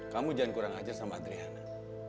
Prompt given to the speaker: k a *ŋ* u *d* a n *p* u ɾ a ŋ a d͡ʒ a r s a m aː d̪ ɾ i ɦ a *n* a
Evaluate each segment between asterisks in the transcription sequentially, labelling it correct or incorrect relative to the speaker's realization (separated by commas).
incorrect, incorrect, incorrect, correct